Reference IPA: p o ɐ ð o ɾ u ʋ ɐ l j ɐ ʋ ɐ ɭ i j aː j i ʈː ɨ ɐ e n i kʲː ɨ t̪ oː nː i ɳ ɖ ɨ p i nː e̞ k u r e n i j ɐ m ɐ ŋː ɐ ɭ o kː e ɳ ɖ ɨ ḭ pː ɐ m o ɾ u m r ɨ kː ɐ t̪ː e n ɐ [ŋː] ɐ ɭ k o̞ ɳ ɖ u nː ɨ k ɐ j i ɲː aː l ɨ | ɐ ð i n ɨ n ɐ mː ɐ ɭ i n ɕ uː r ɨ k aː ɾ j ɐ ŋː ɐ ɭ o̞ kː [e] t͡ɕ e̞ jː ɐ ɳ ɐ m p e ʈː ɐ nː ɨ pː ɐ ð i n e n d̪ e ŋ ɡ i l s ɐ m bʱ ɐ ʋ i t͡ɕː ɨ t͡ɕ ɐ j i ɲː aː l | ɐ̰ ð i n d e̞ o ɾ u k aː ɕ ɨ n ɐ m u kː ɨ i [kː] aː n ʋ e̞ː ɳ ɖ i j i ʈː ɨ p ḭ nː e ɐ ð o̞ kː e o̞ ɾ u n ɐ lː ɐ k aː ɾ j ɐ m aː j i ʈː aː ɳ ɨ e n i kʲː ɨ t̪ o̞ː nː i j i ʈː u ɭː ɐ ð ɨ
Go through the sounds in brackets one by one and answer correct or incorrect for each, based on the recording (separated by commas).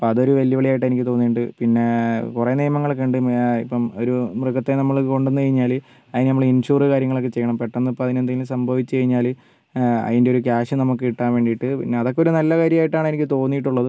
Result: incorrect, correct, incorrect